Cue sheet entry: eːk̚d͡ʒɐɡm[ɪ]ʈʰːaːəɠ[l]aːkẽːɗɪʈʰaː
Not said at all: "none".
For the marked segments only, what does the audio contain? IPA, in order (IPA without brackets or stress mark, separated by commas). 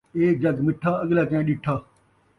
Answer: ɪ, l